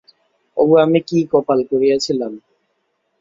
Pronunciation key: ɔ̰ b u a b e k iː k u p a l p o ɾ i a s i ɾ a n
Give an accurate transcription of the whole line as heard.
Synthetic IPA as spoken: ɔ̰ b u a m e k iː k ɔ p a l k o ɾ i a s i l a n

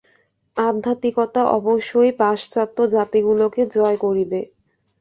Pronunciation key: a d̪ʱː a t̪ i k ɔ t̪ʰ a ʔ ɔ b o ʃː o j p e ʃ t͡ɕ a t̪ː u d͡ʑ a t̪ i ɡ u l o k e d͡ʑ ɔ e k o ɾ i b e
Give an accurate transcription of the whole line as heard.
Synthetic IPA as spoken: a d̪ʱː a t̪ i k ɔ t̪ a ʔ ɔ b o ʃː o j p a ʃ t͡ɕ a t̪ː o d͡ʑ a t̪ i ɡ u l o k e d͡ʑ ɔ e k o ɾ i b e

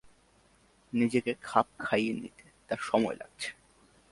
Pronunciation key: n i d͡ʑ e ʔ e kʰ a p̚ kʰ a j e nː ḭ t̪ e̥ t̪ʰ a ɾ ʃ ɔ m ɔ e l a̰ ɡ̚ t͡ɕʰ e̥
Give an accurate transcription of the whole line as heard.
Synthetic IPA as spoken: n i d͡ʑ e k e kʰ a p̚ kʰ a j e n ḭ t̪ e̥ t̪ a ɾ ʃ ɔ m ɔ e l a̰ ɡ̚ t͡ɕʰ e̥

